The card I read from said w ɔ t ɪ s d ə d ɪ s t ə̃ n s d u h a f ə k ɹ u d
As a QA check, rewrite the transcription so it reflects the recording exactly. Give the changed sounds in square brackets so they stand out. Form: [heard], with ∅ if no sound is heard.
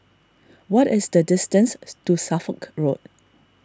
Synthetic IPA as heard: w ɔ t ɪ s d ə d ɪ s t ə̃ n s [t] u [s] a f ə k ɹ [o] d